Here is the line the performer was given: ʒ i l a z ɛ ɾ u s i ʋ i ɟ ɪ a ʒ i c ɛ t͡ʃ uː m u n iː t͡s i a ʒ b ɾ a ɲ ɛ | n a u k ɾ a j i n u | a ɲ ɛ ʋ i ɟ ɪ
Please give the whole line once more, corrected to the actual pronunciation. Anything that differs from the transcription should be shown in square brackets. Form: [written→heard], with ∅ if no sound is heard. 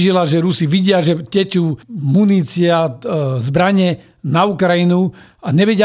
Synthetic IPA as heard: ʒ i l a [z→ʒ] ɛ ɾ u s i ʋ i ɟ ɪ a ʒ [i→ɛ] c ɛ t͡ʃ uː m u n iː t͡s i a [ʒ→z] b ɾ a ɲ ɛ | n a u k ɾ a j i n u | a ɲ ɛ ʋ [i→ɛ] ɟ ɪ